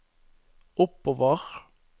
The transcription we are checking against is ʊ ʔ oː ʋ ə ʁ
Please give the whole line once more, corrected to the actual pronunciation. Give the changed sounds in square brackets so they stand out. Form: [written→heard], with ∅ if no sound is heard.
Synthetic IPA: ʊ [ʔ→p] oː ʋ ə ʁ